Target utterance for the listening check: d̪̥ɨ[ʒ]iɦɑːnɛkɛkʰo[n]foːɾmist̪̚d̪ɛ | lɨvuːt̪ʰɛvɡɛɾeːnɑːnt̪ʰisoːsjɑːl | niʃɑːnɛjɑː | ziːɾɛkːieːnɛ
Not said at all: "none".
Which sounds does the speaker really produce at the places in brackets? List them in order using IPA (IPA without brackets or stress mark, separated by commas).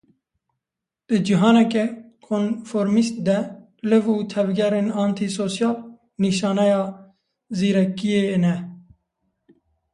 d͡ʒ, n